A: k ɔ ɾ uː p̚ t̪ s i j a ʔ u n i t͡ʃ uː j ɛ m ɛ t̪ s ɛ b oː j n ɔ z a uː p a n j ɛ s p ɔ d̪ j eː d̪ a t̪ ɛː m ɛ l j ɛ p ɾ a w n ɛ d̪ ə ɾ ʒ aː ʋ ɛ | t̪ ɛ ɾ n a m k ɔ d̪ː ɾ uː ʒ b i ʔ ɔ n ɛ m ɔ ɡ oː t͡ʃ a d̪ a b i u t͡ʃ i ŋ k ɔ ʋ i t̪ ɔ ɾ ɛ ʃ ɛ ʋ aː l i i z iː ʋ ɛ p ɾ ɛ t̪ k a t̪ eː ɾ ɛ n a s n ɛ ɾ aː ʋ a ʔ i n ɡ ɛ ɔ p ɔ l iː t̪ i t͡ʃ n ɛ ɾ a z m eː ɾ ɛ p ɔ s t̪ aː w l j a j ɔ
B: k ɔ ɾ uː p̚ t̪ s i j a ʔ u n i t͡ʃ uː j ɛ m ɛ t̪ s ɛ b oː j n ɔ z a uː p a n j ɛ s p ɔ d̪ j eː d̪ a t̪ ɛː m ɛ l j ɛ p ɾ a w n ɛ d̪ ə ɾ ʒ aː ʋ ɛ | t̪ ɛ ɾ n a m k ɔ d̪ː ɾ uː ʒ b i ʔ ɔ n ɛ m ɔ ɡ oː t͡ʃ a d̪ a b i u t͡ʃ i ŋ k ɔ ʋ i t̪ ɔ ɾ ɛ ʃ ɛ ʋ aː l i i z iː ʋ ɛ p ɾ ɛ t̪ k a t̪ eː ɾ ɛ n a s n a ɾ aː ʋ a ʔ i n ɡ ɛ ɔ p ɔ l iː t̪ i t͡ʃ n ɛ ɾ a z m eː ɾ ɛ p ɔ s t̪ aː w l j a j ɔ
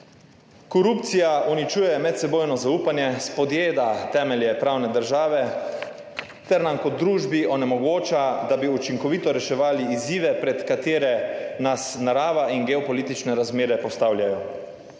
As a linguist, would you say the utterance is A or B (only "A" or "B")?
B